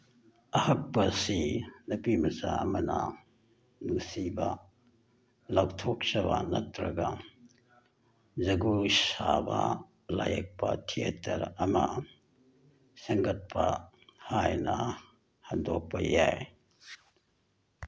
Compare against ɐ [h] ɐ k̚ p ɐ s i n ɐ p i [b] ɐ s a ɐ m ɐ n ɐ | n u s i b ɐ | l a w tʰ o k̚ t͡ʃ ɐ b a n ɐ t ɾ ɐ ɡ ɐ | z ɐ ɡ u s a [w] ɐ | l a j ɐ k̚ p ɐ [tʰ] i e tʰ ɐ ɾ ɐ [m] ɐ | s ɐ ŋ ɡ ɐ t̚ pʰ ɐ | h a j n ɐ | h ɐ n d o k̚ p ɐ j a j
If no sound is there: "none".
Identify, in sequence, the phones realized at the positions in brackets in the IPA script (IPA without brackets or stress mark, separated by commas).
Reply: h, m, b, tʰ, m